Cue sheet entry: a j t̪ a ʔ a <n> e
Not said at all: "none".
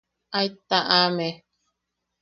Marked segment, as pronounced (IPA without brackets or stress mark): m